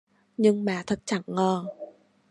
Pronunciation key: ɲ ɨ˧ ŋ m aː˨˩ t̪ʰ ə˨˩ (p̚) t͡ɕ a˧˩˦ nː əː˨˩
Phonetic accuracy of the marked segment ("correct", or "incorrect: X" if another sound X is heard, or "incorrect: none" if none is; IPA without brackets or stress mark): incorrect: t̚